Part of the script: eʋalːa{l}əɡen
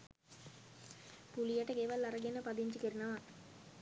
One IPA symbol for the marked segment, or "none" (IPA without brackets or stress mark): ɾ